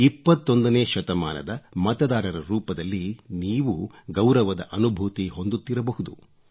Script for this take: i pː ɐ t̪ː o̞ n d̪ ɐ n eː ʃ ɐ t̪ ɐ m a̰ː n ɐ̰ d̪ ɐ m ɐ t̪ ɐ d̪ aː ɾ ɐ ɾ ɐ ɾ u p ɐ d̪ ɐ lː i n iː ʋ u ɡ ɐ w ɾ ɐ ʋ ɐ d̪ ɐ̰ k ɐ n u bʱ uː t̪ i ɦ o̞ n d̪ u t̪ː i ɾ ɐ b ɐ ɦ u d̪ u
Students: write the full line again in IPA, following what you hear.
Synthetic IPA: i pː ɐ t̪ː o̞ n d̪ ɐ n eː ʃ ɐ t̪ ɐ m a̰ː n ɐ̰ d̪ ɐ m ɐ t̪ ɐ d̪ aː ɾ ɐ ɾ ɐ ɾ uː p ɐ d̪ ɐ lː i n iː ʋ u ɡ ɐ w ɾ ɐ ʋ ɐ d̪ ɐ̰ ʔ ɐ n u bʱ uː t̪ i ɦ o̞ n d̪ u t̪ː i ɾ ɐ b ɐ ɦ u d̪ u